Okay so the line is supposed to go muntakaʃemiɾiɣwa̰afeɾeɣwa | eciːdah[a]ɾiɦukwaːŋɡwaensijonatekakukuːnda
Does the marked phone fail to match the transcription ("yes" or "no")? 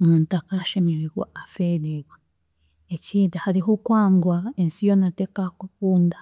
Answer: no